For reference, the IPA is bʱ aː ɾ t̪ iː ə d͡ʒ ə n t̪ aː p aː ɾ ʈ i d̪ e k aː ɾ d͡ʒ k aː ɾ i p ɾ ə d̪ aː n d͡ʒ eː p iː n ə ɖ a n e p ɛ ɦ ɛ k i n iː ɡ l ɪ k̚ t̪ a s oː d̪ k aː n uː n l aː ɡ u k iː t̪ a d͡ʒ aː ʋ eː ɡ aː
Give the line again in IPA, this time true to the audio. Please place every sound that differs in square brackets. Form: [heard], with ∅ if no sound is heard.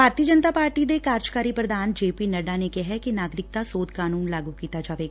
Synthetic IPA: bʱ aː ɾ t̪ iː ə d͡ʒ ə n t̪ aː p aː ɾ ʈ i d̪ e k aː ɾ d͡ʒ k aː ɾ i p ɾ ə d̪ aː n d͡ʒ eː p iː n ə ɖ a n e [k] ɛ ɦ ɛ k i n [aː] ɡ [ɾ] ɪ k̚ t̪ a s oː d̪ k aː n uː n l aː ɡ u k iː t̪ a d͡ʒ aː ʋ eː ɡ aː